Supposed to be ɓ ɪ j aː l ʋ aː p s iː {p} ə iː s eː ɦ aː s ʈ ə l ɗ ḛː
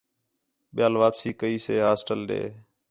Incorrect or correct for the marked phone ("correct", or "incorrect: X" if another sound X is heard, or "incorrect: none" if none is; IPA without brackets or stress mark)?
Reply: incorrect: k